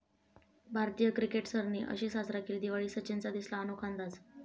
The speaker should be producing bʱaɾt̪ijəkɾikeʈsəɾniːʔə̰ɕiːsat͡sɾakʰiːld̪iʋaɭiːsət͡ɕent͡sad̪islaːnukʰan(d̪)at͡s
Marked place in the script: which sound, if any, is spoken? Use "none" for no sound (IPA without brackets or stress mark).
d̪